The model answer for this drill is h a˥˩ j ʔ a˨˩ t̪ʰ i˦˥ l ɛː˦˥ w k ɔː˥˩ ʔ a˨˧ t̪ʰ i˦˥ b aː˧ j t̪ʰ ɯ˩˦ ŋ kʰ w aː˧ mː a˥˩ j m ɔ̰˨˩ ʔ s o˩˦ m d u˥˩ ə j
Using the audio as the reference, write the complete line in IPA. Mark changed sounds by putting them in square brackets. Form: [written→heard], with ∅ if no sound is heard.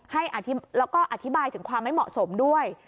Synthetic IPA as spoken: h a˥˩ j ʔ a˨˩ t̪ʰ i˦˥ l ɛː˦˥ w k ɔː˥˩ ʔ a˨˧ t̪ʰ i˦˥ b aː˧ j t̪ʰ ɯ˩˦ ŋ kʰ w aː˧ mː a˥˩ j m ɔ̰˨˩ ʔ s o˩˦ m d u˥˩ ə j